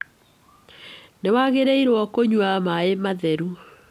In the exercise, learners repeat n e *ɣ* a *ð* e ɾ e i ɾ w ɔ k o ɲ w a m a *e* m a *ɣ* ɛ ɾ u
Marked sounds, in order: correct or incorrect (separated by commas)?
incorrect, incorrect, correct, incorrect